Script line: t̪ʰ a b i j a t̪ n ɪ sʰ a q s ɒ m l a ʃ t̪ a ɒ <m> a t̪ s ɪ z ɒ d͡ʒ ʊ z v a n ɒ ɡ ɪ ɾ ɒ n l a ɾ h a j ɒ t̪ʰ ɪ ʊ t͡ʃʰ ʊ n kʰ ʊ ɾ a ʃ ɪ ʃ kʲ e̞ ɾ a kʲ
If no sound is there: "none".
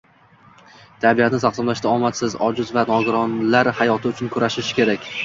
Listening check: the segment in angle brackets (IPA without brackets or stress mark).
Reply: m